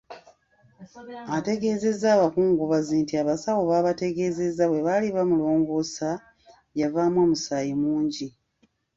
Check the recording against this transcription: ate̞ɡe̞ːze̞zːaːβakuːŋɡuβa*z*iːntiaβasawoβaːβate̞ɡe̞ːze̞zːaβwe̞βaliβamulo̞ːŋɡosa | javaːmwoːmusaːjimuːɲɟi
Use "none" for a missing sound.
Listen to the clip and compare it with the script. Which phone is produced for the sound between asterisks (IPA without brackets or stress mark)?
z